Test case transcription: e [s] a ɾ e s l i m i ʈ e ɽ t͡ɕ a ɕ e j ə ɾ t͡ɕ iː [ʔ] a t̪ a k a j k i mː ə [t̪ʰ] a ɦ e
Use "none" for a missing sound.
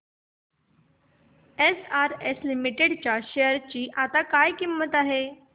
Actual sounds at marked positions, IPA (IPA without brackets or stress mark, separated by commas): s, ʔ, t̪